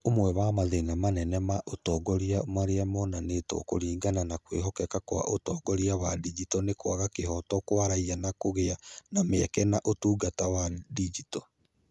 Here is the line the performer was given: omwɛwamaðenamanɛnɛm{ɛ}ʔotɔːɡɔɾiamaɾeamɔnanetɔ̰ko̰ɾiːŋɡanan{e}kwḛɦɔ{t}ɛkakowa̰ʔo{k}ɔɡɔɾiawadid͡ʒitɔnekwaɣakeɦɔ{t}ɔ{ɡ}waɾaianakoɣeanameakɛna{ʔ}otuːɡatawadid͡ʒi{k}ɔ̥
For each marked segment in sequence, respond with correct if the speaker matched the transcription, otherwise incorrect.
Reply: incorrect, incorrect, incorrect, incorrect, correct, incorrect, correct, incorrect

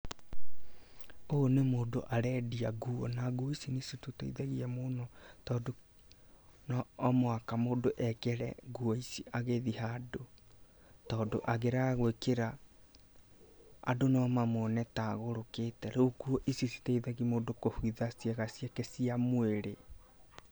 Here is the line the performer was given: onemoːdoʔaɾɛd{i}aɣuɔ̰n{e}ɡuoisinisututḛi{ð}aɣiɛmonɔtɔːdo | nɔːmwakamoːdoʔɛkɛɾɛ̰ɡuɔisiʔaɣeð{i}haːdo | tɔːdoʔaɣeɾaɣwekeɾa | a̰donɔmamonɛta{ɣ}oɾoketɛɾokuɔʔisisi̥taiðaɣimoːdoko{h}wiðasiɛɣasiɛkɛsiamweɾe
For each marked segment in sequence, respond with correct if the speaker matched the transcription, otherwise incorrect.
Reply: correct, incorrect, correct, correct, correct, correct

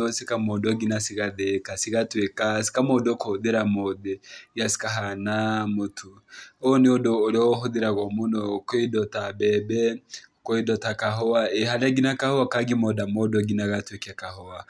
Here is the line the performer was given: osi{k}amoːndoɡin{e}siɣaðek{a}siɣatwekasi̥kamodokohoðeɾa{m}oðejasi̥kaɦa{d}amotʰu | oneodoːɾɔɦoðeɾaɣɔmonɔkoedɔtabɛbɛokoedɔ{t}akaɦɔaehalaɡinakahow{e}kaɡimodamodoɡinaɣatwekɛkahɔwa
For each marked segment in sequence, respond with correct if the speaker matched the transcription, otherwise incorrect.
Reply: correct, incorrect, correct, correct, incorrect, correct, incorrect

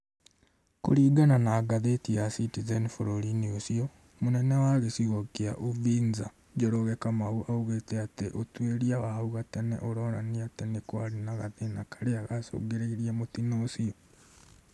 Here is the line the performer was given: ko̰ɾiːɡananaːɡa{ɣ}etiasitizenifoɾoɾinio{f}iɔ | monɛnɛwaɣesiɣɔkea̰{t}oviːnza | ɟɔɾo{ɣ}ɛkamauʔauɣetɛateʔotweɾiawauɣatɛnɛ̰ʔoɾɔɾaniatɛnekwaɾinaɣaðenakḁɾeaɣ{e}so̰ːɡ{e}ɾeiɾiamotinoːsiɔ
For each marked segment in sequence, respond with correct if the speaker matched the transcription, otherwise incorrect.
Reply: incorrect, incorrect, incorrect, correct, incorrect, correct

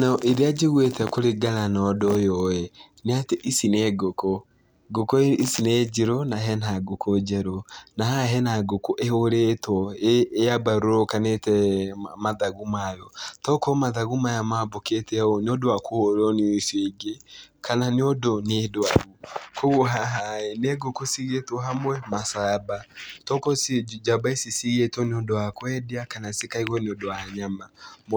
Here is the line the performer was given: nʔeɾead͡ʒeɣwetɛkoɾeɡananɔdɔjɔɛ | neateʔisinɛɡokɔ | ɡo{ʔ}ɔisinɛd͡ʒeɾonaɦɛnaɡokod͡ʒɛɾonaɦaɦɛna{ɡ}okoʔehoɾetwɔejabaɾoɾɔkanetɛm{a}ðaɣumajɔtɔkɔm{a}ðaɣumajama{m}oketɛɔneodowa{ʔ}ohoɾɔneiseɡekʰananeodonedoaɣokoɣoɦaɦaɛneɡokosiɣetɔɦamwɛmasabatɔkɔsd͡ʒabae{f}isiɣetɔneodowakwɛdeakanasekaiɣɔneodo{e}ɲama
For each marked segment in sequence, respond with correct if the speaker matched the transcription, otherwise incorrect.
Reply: incorrect, correct, correct, correct, incorrect, incorrect, incorrect, incorrect

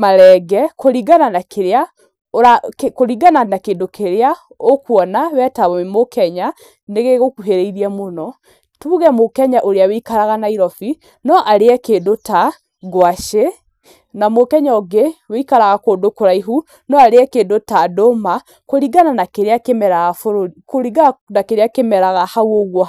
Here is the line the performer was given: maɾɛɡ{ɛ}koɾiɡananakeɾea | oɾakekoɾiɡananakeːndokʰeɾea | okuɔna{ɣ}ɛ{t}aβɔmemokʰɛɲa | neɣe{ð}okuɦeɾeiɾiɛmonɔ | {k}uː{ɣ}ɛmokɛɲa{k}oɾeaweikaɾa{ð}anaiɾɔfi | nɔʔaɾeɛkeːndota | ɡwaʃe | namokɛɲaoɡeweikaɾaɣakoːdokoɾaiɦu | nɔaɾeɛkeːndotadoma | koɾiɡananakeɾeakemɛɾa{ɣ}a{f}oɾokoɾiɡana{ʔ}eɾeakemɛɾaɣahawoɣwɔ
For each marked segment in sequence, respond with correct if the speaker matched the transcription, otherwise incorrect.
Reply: correct, incorrect, correct, incorrect, incorrect, correct, incorrect, incorrect, correct, correct, incorrect

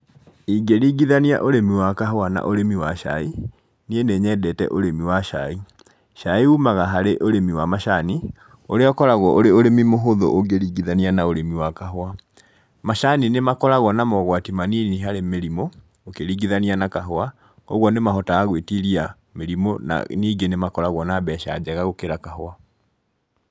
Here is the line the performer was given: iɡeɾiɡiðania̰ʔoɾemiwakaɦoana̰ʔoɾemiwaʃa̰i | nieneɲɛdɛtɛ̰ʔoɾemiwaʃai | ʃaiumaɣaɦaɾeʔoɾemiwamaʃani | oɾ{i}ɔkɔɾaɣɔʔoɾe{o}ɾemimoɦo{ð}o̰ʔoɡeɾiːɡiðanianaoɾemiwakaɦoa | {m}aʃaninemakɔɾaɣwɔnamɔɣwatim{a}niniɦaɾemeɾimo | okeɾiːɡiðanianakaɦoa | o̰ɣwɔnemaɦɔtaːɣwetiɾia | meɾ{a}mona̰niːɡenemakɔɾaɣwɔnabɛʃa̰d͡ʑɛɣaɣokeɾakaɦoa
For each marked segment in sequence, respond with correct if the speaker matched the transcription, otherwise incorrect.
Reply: incorrect, correct, correct, correct, correct, incorrect

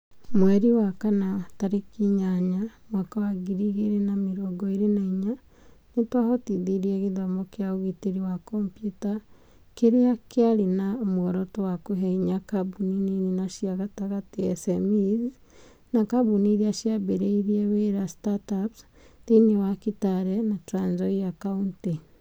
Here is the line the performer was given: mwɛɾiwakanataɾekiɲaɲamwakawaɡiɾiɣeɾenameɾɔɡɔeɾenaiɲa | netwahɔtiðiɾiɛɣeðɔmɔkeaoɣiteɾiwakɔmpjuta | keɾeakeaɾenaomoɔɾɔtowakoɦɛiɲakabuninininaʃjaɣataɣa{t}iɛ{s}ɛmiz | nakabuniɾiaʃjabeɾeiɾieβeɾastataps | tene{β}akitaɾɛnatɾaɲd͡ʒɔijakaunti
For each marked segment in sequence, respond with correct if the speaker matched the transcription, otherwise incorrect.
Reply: correct, correct, incorrect

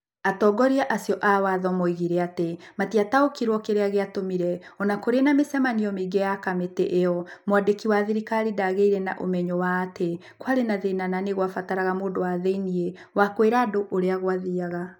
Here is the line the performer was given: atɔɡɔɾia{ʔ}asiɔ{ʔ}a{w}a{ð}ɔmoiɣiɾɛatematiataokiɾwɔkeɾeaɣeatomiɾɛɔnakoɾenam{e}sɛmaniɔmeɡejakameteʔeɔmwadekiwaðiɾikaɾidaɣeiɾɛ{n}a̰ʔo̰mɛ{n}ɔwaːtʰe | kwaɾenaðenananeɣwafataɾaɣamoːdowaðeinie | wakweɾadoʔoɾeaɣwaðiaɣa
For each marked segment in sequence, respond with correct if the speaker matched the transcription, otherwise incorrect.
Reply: correct, correct, correct, correct, correct, correct, incorrect

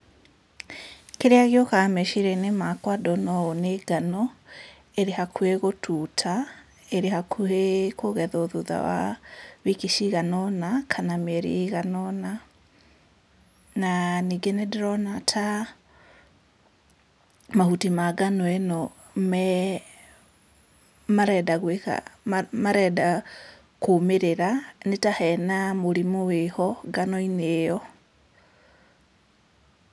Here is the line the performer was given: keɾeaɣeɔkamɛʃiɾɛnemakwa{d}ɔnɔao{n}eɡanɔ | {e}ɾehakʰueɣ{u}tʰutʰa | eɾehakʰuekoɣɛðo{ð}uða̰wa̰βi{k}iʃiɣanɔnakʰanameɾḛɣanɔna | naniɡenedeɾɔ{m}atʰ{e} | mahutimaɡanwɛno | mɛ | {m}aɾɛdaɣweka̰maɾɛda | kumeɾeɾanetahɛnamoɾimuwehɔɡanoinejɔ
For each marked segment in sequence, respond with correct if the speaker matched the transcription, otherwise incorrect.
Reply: correct, correct, correct, incorrect, correct, correct, incorrect, incorrect, correct

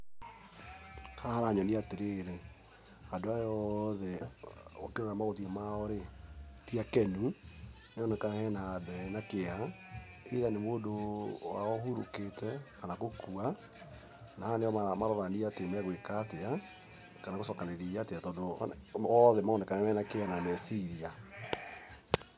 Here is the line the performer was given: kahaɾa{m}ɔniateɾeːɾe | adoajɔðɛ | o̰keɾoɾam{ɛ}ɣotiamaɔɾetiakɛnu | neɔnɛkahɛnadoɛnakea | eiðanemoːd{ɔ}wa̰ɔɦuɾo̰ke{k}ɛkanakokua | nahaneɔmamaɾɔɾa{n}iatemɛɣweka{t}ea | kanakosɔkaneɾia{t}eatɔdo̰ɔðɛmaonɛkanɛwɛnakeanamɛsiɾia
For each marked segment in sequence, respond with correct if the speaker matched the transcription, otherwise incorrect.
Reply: incorrect, incorrect, incorrect, incorrect, correct, correct, correct

